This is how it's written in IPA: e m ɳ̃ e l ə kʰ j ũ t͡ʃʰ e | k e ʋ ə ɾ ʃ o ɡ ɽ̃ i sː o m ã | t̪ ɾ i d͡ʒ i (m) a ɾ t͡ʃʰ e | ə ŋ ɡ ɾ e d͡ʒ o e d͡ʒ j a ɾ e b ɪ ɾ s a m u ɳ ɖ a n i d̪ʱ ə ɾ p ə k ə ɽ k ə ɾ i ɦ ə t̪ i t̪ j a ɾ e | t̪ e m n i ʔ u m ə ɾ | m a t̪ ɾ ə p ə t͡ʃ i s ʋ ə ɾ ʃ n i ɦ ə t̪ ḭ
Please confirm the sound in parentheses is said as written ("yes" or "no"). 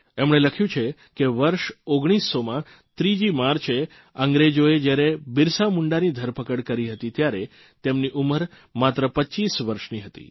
yes